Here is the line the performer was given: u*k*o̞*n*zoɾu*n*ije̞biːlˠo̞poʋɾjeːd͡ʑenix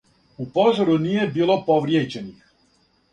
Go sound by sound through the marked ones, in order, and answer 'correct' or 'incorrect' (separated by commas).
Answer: incorrect, incorrect, correct